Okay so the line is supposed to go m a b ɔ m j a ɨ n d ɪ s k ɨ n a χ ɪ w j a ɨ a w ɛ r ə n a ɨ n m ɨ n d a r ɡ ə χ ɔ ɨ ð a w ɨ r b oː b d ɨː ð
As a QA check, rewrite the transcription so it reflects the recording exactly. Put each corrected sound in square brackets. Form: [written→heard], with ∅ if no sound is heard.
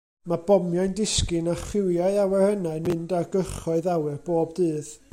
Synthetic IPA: m a b ɔ m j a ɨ n d ɪ s k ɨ n a χ ɪ w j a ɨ a w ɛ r ə n a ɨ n m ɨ n d a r ɡ ə χ ɔ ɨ ð a w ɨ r b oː b d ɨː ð